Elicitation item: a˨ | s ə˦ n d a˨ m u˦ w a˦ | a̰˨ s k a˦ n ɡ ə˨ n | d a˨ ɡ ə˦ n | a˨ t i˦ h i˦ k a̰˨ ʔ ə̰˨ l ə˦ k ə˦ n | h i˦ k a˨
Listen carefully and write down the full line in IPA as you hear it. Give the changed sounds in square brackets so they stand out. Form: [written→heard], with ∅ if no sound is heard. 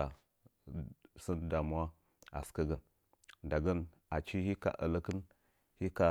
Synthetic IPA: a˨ | s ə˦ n d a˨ m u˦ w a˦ | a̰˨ s k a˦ [n→∅] ɡ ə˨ n | d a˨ ɡ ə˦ n | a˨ [t→t͡ʃ] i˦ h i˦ k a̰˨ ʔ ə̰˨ l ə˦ k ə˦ n | h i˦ k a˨